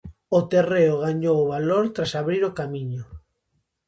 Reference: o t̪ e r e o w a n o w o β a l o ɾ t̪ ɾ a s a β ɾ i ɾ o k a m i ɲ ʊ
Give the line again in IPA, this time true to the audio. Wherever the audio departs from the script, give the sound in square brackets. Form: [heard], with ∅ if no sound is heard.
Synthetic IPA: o t̪ e r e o [ɣ] a [ɲ] o w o β a l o ɾ t̪ ɾ a s a β ɾ i ɾ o k a m i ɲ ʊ